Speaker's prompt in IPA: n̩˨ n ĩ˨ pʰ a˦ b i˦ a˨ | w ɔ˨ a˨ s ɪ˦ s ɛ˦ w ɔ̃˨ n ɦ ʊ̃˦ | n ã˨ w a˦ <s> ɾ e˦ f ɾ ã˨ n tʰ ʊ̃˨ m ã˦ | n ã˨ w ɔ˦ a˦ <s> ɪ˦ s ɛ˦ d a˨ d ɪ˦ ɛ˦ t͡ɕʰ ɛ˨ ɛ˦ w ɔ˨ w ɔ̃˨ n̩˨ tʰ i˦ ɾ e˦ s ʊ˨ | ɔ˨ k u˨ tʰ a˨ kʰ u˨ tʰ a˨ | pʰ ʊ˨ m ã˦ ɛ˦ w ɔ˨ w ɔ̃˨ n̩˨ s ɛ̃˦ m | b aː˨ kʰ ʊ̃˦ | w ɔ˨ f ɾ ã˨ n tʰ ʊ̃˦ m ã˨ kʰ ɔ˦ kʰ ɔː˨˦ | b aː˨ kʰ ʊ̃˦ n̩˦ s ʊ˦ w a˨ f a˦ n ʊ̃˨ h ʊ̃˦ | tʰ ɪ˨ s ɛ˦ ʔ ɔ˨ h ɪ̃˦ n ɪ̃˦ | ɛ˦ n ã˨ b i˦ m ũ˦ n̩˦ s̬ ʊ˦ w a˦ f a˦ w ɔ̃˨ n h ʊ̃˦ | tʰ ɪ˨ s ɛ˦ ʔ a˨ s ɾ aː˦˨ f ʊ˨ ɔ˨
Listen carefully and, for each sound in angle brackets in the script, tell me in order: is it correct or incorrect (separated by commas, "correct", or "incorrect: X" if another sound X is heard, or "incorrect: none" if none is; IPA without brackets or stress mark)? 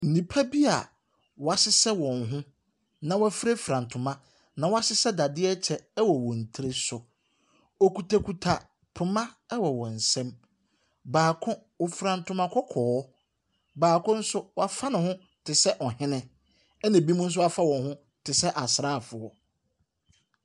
incorrect: f, correct